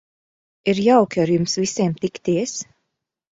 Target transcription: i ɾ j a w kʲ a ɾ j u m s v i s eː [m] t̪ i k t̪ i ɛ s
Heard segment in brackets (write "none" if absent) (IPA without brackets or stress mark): m